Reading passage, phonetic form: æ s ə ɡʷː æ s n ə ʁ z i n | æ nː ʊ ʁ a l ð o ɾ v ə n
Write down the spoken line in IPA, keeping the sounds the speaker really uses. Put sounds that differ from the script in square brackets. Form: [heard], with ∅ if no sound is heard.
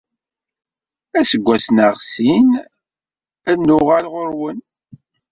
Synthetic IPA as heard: æ s ə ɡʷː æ s n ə ʁ [s] i n | æ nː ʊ ʁ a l [ʁ] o ɾ [w] ə n